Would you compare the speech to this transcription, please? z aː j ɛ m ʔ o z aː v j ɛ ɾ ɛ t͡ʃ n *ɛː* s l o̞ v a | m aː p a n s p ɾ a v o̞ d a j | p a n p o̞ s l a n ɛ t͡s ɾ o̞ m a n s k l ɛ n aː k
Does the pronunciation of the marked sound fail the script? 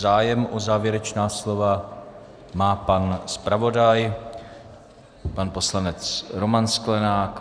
yes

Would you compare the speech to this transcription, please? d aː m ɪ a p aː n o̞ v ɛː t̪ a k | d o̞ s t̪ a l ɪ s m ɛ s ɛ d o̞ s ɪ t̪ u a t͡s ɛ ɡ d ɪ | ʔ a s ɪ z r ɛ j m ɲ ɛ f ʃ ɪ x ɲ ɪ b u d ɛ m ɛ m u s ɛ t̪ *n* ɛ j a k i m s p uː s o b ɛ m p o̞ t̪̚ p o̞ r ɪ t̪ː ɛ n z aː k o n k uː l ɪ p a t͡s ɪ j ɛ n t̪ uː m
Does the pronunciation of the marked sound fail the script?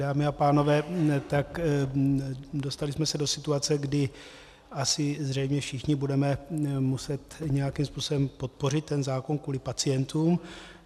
yes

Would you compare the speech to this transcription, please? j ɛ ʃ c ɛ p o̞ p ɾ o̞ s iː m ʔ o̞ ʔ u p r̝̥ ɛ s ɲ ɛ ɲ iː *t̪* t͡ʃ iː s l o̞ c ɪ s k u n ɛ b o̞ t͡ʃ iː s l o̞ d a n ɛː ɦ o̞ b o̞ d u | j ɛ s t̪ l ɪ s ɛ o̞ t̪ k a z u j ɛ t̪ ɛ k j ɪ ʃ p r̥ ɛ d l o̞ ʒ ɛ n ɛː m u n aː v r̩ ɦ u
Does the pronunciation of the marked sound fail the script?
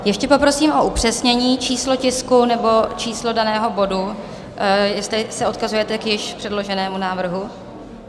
yes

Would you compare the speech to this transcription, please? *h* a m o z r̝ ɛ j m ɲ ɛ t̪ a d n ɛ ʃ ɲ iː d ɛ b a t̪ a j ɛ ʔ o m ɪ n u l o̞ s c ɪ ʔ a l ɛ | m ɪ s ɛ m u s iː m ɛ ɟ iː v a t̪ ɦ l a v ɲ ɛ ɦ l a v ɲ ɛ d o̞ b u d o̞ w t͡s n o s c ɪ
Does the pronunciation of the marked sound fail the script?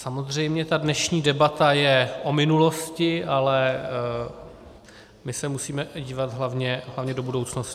yes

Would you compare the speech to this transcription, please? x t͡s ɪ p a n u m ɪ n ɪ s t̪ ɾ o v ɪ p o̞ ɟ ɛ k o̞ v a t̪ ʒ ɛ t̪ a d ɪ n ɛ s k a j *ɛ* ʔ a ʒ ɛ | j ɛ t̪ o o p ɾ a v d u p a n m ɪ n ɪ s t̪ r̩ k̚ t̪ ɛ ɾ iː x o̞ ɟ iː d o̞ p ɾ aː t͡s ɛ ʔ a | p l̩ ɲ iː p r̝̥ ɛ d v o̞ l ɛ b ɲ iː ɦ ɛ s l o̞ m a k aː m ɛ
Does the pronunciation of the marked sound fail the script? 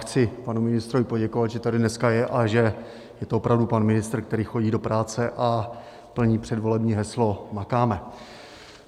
no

